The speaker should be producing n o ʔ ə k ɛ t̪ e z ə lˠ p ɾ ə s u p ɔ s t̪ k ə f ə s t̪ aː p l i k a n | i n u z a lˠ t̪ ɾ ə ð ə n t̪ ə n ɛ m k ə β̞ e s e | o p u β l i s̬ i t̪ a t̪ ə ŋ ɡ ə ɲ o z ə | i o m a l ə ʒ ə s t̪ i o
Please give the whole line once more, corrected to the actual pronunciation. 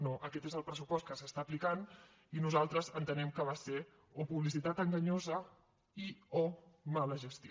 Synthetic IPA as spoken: n o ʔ ə k ɛ t̪ e z ə lˠ p ɾ ə s u p ɔ s t̪ k ə s ə s t̪ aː p l i k a n | i n u z a lˠ t̪ ɾ ə z ə n t̪ ə n ɛ m k ə β̞ a s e | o p u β l i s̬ i t̪ a t̪ ə ŋ ɡ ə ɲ o z ə | i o m a l ə ʒ ə s t̪ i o

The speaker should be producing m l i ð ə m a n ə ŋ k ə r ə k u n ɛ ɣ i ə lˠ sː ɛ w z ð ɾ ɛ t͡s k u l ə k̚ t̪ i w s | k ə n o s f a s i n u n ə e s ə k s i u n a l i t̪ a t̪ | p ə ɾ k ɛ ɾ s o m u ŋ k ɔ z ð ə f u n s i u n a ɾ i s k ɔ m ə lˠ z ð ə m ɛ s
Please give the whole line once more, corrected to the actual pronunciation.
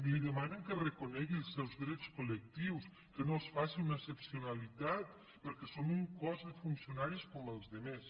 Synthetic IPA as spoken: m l i ð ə m a n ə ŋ k ə r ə k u n ɛ ɣ i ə lˠ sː ɛ w z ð ɾ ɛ t͡s k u l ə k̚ t̪ i w s | k ə n o s f a s i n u n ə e s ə p s i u n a l i t̪ a t̪ | p ə ɾ k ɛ s o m u ŋ k ɔ z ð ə f u n s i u n a ɾ i s k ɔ m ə lˠ z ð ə m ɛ s

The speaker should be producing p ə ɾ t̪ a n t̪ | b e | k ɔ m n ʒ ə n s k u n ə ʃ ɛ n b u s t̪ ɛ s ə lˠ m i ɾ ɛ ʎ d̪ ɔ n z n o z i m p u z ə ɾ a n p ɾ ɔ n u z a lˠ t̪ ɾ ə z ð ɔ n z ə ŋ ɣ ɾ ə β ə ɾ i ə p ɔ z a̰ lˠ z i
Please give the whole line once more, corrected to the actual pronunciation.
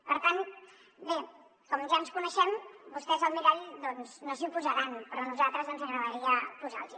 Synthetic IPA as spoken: p ə ɾ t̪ a n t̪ | b e | k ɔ m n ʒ a n s k u n ə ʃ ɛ m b u s t̪ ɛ z ə lˠ m i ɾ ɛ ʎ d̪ ɔ n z n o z i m p u z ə ɾ a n p ɾ ɔ n u z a lˠ t̪ ɾ ə z ð ɔ n z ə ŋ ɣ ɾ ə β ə ɾ i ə p u z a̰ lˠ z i

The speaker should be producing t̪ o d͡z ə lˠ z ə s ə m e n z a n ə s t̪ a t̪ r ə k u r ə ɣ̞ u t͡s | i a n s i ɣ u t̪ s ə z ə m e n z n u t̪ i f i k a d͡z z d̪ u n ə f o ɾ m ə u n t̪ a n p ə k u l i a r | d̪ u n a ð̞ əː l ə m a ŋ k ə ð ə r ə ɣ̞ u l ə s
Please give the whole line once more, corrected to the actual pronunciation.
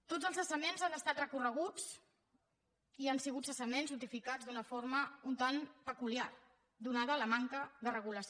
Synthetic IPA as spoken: t̪ o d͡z ə lˠ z ə s ə m e n z a n ə s t̪ a t̪ r ə k u r ə ɣ̞ u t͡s | i a n s i ɣ u t̪ s ə s ə m e n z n u t̪ i f i k a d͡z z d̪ u n ə f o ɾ m ə u n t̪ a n p ə k u l i a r | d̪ u n a ð̞ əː l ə m a ŋ k ə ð ə r ə ɣ̞ u l ə s

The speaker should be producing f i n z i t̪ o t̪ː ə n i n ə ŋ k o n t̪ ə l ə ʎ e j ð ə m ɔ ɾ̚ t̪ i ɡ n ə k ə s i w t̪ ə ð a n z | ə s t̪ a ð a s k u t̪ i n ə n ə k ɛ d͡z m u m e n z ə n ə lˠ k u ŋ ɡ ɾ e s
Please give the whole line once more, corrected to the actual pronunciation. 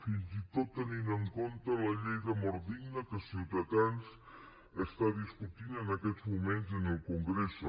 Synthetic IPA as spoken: f i n z i t̪ o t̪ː ə n i n ə ŋ k o n t̪ ə l ə ʎ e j ð ə m ɔ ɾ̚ d̪ i ɡ n ə k ə s i w t̪ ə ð a n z | ə s t̪ a ð i s k u t̪ i n ə n ə k ɛ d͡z m u m e n z ə n ə lˠ k u ŋ ɡ ɾ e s

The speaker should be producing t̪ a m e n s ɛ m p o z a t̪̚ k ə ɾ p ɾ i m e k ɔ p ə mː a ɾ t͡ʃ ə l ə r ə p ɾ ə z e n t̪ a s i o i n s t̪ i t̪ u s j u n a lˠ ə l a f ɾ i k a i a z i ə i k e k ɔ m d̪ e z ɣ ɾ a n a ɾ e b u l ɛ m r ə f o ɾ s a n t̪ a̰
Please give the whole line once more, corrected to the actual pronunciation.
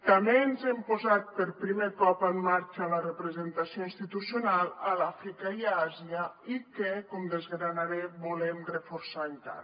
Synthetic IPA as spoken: t̪ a m e n z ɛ m p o z a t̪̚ p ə ɾ p ɾ i m e k ɔ p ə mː a ɾ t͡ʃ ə l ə r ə p ɾ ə z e n t̪ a s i o i n s t̪ i t̪ u s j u n a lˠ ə l a f ɾ i k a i a z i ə i k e k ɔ m d̪ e z ɣ ɾ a n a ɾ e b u l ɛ m r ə f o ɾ s a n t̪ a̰

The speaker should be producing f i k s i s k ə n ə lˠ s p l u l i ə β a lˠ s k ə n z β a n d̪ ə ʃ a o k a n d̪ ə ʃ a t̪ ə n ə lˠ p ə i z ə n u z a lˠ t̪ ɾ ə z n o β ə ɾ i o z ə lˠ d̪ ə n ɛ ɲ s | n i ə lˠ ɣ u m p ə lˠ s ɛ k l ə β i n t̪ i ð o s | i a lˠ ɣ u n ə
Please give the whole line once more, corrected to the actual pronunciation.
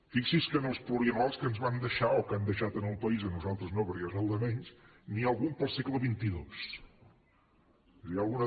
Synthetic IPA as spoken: f i k s i s k ə n ə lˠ s p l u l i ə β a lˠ s k ə n z β a n d̪ ə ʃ a o k a n d̪ ə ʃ a t̪ ə n ə lˠ p ə i z ə n u z a lˠ t̪ ɾ ə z n o β ə ɾ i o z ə lˠ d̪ ə m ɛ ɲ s | n i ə lˠ ɣ u m p ə lˠ s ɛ k l ə β i n t̪ i ð o s | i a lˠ ɣ u n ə

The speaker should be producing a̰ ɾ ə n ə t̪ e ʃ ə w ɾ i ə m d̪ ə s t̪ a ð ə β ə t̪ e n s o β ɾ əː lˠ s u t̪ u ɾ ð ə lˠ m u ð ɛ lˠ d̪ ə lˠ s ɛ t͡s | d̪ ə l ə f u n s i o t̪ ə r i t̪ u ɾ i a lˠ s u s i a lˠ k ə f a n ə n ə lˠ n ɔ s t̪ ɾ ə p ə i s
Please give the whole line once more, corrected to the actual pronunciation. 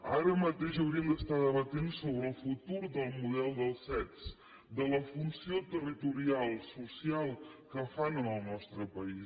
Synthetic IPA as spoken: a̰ ɾ ə m ə t̪ e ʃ ə w ɾ i ə m d̪ ə s t̪ a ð ə β ə t̪ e n s o β ɾ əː lˠ f u t̪ u ɾ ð ə lˠ m u ð ɛ lˠ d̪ ə lˠ s ɛ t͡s | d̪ ə l ə f u n s i o t̪ ə r i t̪ u ɾ i a lˠ s u s i a lˠ k ə f a n ə n ə lˠ n ɔ s t̪ ɾ ə p ə i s

